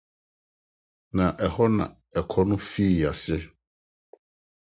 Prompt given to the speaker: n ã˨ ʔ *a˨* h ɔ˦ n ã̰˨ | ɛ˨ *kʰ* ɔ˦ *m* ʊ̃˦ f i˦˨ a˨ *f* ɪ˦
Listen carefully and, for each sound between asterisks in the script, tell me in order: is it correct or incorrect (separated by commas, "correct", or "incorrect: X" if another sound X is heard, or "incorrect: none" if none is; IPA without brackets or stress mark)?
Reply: incorrect: ɛ˨, correct, incorrect: n, incorrect: s